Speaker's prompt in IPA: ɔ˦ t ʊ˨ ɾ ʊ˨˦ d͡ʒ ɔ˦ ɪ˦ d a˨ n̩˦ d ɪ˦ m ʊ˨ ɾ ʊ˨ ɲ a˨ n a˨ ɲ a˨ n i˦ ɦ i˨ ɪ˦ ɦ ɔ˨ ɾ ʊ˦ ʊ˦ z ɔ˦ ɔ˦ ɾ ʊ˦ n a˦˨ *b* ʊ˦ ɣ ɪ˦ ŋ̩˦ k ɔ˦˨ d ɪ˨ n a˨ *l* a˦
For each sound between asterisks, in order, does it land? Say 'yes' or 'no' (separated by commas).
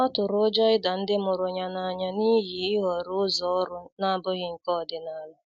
yes, yes